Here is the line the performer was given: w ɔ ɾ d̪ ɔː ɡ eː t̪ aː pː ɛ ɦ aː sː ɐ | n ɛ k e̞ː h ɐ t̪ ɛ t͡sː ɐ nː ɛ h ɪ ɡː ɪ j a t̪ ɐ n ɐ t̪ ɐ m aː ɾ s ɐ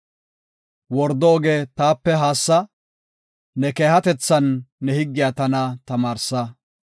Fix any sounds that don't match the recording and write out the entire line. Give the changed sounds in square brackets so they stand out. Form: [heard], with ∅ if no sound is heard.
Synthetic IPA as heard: w ɔ ɾ d̪ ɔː ɡ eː t̪ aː pː ɛ ɦ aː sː ɐ | n ɛ k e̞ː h ɐ t̪ ɛ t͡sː ɐ nː ɛ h ɪ ɡː ɪ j a t̪ ɐ n ɐ t̪ ɐ m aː ɾ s ɐ